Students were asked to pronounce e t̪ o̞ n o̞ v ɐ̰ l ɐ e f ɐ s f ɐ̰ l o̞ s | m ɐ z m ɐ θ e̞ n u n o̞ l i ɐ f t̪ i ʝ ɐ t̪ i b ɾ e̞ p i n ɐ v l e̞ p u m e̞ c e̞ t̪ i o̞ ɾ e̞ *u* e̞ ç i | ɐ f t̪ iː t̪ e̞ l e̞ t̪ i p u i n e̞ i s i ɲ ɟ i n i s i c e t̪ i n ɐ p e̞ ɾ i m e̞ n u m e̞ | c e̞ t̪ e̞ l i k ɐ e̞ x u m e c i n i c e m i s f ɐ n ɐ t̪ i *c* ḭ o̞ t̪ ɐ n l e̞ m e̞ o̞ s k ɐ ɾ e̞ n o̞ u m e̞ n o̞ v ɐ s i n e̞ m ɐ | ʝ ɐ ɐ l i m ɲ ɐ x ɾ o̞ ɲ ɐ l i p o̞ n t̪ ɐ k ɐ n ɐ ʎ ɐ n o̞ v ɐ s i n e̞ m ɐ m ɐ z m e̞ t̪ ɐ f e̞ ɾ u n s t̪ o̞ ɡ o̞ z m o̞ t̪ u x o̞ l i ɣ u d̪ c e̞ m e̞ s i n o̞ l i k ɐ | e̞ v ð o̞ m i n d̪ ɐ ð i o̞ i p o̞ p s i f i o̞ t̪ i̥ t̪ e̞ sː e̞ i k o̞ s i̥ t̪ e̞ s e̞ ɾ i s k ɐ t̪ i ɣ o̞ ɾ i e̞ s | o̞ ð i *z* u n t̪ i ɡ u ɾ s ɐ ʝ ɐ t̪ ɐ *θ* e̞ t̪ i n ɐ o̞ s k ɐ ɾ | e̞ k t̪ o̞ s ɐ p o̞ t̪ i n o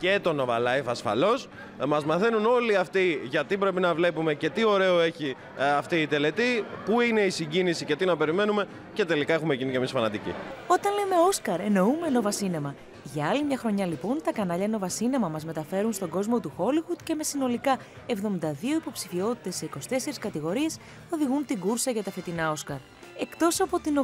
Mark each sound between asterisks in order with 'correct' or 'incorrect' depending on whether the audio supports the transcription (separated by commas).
incorrect, correct, incorrect, incorrect